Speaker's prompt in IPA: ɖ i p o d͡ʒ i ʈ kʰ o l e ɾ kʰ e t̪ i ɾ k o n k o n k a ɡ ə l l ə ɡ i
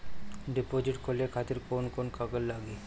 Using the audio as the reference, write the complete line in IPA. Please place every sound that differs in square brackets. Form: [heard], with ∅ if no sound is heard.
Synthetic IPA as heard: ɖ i p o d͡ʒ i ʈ kʰ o l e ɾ kʰ [a] t̪ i ɾ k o n k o n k a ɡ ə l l [a] ɡ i